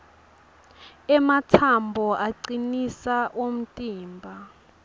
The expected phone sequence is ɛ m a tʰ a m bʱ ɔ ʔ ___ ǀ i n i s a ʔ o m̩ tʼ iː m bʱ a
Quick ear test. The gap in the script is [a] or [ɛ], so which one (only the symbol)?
a